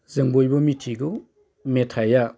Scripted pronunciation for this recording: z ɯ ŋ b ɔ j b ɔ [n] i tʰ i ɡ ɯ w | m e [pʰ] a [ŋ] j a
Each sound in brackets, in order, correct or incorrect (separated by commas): incorrect, incorrect, incorrect